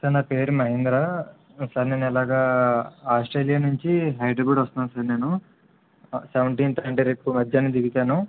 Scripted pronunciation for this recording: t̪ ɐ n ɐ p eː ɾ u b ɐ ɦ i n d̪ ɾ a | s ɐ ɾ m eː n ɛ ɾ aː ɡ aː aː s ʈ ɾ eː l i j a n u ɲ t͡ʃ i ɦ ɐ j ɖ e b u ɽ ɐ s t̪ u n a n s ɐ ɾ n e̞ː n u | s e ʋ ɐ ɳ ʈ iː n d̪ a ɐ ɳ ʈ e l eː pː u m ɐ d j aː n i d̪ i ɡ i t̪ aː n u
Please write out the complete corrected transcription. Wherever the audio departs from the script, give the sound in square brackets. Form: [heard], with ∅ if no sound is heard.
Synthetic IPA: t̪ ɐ n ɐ p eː ɾ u [m] ɐ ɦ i n d̪ ɾ a | s ɐ ɾ [n] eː n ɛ [l] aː ɡ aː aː s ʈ ɾ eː l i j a n u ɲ t͡ʃ i ɦ ɐ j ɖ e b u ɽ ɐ s t̪ u n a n s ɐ ɾ n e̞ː n u | s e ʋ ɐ ɳ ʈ iː n [t̪] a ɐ ɳ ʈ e [ɾ] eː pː u m ɐ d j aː n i d̪ i ɡ i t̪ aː n u

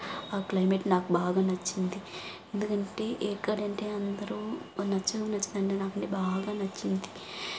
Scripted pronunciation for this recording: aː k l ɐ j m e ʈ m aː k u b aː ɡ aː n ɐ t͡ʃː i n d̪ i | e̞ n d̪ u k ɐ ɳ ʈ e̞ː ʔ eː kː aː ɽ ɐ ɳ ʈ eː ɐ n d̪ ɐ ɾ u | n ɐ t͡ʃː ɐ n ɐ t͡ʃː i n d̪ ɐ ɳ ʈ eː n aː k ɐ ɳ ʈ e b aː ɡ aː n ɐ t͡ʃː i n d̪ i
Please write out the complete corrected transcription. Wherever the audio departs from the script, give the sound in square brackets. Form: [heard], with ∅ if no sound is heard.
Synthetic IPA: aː k l ɐ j m e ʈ [n] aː k u b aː ɡ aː n ɐ t͡ʃː i n d̪ i | e̞ n d̪ u k ɐ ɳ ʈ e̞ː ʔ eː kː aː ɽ ɐ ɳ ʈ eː ɐ n d̪ ɐ ɾ u | n ɐ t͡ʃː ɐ n ɐ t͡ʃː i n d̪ ɐ ɳ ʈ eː n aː k ɐ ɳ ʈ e b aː ɡ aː n ɐ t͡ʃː i n d̪ i

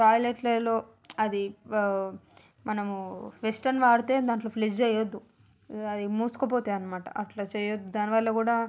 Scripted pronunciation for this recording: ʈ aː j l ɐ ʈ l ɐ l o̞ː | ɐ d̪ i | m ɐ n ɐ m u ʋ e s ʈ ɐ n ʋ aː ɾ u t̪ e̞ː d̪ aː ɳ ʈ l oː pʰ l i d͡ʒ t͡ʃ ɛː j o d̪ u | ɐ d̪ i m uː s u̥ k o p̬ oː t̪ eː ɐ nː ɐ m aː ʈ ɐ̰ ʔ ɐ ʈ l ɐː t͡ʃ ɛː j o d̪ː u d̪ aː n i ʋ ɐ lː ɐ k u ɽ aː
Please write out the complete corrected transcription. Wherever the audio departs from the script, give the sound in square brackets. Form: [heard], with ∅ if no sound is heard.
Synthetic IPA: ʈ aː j l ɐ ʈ l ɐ l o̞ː | ɐ d̪ i | m ɐ n ɐ m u ʋ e s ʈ ɐ n ʋ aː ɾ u t̪ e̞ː d̪ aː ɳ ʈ l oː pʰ l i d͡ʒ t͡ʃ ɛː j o [d̪ː] u | ɐ d̪ i m uː s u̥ k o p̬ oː t̪ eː ɐ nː ɐ m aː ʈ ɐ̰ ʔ ɐ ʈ l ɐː t͡ʃ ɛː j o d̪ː u d̪ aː n i ʋ ɐ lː ɐ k [uː] ɽ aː

